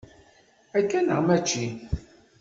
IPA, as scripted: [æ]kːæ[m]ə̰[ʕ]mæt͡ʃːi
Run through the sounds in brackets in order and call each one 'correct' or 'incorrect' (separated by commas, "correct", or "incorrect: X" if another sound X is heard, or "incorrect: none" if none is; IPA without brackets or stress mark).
correct, incorrect: n, incorrect: ʁ